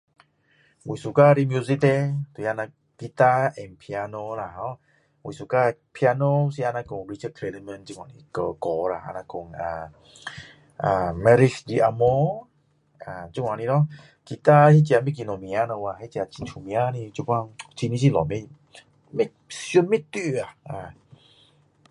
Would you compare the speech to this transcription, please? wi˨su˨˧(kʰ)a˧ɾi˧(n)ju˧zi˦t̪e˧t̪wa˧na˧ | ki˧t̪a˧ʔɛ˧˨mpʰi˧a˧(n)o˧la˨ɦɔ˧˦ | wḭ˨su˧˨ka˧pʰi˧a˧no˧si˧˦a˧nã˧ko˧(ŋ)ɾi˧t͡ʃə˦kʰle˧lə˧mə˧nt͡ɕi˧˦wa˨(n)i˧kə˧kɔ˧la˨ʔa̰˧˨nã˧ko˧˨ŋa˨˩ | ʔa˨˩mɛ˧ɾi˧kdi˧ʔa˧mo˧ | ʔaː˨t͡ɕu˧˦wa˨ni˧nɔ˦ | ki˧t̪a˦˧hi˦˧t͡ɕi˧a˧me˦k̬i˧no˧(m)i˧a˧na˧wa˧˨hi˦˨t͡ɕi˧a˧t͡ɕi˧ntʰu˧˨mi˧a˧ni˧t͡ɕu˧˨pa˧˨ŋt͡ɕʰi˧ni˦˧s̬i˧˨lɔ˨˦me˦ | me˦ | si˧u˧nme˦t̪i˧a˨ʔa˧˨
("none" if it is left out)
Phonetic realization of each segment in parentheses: k, m, n, ŋ, n, m

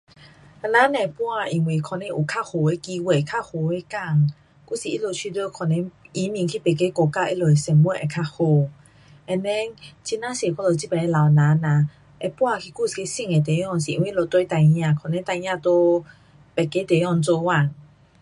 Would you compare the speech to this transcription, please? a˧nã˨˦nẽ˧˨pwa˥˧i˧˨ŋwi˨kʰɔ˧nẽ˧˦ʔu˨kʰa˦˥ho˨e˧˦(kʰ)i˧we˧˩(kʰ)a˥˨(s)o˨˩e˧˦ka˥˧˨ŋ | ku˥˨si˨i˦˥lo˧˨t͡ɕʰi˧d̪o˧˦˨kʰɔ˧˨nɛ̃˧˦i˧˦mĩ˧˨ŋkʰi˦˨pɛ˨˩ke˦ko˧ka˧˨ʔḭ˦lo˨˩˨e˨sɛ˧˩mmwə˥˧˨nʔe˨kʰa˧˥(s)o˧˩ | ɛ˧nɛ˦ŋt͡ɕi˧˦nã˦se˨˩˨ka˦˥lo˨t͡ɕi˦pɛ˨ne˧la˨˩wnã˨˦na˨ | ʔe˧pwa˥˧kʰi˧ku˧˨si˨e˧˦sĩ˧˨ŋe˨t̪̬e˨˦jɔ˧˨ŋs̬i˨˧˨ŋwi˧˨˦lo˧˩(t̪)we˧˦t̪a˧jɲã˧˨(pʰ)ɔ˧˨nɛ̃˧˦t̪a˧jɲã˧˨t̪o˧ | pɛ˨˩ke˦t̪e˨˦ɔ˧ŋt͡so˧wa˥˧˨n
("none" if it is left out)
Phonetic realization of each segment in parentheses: k, kʰ, h, h, t̪, kʰ

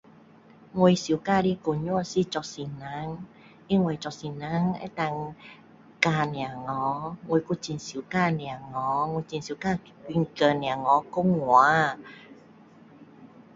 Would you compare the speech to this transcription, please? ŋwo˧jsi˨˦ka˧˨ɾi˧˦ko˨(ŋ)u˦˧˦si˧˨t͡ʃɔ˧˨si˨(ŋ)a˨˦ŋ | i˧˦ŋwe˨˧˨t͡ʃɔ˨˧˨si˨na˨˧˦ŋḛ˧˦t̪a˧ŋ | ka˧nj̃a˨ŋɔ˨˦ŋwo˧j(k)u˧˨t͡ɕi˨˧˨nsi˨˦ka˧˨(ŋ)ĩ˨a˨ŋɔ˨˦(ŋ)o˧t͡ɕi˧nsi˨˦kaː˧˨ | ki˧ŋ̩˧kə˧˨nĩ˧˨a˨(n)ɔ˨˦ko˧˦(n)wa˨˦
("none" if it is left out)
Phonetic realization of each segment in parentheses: ɲ, n, k, n, ŋ, ŋ, ŋ

